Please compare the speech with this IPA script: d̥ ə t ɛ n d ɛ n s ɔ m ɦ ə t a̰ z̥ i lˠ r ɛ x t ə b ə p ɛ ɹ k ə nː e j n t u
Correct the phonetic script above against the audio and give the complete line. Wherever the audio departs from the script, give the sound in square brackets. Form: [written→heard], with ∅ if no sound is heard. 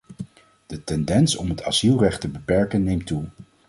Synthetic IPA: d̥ ə t ɛ n d ɛ n s ɔ m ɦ ə t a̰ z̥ i lˠ r ɛ [x→χ] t ə b ə p ɛ ɹ k ə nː e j [n→m] t u